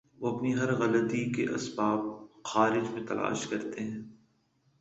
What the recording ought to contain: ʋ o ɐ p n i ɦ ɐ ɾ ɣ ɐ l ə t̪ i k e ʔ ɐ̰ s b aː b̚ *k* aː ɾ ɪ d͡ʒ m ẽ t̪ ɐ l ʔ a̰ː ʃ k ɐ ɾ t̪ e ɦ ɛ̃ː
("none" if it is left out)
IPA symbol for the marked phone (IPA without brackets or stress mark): x